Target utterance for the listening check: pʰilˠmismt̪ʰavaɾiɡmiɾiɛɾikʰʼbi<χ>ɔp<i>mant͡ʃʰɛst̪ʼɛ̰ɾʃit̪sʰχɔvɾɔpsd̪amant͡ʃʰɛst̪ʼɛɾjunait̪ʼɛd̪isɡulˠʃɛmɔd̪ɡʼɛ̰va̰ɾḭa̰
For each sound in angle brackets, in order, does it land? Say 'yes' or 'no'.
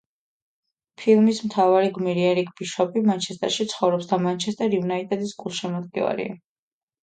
no, yes

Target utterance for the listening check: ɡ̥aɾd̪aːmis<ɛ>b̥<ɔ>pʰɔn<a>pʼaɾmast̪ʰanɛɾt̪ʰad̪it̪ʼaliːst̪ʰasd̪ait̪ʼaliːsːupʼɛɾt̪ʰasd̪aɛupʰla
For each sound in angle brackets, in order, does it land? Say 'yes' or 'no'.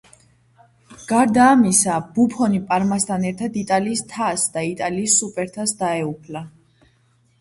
no, no, no

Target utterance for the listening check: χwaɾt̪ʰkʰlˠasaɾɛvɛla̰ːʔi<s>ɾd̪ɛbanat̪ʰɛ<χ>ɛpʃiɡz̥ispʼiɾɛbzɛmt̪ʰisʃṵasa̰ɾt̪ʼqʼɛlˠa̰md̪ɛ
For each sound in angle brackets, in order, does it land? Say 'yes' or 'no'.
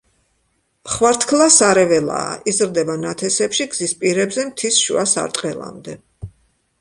no, no

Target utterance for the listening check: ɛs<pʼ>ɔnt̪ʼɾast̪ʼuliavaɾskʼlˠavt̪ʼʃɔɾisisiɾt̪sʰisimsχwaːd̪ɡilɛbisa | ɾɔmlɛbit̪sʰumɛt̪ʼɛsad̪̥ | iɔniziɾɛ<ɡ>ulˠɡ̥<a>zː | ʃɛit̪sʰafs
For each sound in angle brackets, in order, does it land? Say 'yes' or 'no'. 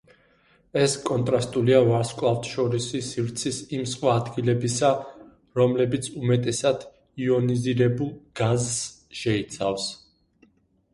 no, no, yes

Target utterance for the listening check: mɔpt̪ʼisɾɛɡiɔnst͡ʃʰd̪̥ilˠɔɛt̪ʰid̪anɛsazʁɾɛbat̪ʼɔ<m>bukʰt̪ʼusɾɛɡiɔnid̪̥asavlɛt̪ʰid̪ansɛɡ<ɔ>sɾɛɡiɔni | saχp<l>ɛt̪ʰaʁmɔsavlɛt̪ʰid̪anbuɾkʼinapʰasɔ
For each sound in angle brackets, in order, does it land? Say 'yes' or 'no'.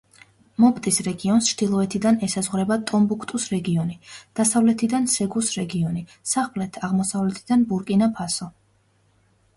yes, no, yes

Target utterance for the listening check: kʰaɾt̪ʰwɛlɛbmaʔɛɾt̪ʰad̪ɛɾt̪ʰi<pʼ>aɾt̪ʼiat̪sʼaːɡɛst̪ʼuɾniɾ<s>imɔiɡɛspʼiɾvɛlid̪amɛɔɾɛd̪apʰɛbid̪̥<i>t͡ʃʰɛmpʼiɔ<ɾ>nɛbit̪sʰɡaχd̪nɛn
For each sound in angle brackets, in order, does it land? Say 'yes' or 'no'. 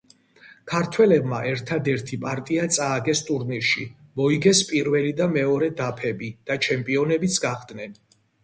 yes, no, no, no

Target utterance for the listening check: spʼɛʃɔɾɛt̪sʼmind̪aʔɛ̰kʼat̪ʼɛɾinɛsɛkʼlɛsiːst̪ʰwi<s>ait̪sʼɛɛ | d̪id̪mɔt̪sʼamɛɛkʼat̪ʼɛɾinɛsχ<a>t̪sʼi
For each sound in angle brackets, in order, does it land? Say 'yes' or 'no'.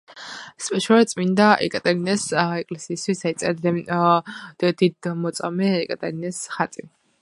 yes, yes

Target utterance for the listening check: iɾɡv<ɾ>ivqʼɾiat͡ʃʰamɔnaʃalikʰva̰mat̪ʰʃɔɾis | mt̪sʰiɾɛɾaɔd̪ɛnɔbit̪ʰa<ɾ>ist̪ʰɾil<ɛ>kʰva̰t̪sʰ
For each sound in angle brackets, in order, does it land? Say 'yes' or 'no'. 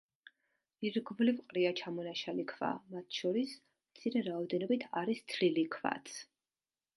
no, yes, no

